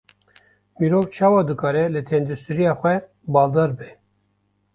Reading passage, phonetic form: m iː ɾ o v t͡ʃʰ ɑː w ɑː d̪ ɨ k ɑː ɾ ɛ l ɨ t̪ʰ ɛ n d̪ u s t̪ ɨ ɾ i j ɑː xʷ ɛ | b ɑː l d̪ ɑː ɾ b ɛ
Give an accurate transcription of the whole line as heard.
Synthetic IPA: m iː ɾ o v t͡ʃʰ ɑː w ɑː d̪ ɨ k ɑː ɾ ɛ l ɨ t̪ʰ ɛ n d̪ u s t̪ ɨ ɾ i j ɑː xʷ ɛ | b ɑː l d̪ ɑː ɾ b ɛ